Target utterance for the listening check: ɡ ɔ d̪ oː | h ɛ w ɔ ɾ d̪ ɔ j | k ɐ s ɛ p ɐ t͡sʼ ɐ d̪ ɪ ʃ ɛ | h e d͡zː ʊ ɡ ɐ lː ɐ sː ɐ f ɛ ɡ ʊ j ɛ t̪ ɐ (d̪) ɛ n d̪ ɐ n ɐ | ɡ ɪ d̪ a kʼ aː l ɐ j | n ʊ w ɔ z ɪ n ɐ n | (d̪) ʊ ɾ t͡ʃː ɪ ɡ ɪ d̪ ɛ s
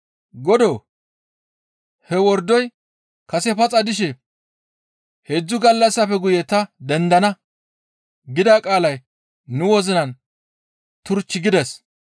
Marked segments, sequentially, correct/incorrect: correct, incorrect: t̪

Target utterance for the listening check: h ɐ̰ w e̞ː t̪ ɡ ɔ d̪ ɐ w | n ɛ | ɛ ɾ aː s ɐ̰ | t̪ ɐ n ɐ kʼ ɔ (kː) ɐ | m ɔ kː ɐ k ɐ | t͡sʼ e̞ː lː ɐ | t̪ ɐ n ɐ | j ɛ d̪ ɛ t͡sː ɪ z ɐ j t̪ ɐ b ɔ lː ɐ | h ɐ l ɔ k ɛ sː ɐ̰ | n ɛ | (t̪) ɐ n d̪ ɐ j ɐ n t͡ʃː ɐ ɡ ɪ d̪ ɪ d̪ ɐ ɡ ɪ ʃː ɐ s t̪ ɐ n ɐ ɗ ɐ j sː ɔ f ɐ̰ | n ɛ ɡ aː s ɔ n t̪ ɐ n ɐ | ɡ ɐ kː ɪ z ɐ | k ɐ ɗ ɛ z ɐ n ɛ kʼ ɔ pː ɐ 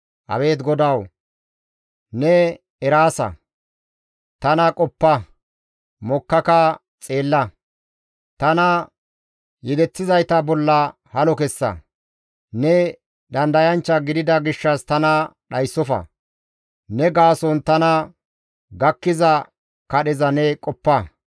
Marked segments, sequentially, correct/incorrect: incorrect: pː, incorrect: d̪

